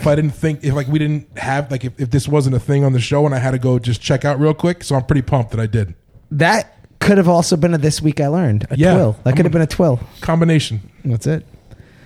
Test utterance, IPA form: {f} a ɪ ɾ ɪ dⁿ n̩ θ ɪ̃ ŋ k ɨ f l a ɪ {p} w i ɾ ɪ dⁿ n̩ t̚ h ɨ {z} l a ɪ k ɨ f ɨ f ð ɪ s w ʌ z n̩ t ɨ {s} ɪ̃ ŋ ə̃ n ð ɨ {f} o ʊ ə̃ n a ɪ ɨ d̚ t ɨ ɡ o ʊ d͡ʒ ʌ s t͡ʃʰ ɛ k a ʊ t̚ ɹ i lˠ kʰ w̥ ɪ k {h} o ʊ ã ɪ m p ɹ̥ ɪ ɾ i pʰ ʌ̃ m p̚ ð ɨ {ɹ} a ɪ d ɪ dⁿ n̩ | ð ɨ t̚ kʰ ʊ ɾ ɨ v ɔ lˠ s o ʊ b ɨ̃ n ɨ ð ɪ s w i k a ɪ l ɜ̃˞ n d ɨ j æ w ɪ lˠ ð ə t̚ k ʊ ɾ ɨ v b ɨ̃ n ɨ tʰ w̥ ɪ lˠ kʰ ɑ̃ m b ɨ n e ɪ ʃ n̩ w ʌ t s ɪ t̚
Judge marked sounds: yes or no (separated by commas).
yes, no, no, no, no, no, no